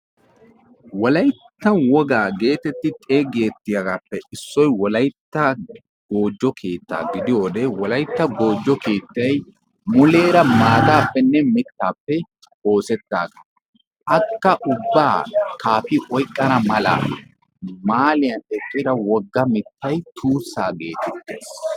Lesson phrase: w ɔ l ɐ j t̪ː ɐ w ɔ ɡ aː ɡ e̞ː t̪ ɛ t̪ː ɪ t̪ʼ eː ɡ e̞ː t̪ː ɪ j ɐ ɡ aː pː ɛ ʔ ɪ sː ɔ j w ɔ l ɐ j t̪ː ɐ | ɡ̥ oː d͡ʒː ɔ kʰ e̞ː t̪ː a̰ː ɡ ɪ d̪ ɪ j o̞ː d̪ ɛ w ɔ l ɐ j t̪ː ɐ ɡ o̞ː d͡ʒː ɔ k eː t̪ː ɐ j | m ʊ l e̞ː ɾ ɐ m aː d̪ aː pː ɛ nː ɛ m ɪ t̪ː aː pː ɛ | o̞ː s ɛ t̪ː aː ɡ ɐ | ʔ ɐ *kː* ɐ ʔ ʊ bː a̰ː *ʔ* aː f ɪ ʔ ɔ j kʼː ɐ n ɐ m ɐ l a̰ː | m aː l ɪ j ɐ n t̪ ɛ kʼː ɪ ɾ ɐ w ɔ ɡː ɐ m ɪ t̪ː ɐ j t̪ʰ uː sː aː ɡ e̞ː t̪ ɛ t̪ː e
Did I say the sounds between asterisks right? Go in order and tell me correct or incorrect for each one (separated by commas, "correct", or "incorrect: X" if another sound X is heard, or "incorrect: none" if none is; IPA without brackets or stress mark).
correct, incorrect: k